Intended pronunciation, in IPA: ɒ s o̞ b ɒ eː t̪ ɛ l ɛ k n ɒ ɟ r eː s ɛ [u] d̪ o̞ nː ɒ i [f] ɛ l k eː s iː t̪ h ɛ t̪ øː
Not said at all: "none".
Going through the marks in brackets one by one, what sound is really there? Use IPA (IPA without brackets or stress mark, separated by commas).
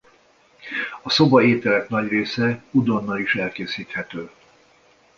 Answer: u, ʃ